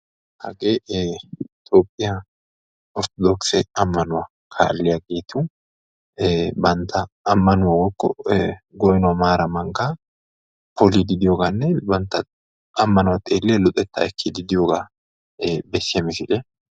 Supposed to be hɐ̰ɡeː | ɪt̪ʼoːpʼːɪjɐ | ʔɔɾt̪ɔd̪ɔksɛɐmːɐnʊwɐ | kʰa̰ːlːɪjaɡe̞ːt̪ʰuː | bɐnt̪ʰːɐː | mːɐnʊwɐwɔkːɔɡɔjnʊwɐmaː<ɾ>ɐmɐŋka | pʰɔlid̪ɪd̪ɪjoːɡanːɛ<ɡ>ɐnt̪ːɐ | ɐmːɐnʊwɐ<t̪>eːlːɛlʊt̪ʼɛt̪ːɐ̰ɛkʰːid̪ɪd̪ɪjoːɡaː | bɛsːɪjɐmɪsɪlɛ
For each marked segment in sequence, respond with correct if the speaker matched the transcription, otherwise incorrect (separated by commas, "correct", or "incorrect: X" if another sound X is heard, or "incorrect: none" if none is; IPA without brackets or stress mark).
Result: correct, incorrect: b, incorrect: t̪ʼ